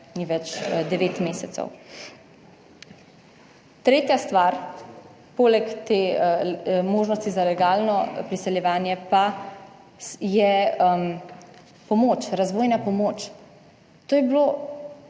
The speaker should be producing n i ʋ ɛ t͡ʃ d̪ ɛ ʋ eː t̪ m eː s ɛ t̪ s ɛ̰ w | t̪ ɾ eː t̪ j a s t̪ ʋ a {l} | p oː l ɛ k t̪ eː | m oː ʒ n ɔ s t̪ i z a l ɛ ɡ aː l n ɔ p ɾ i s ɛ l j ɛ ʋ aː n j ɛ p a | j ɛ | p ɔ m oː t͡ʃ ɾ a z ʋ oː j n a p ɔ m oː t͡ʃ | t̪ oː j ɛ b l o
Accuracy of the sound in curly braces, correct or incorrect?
incorrect